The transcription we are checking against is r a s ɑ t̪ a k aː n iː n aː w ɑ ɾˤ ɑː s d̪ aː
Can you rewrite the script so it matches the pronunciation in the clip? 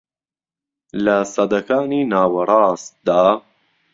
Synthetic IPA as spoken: l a s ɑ d̪ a k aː n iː n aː w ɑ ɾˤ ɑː s d̪ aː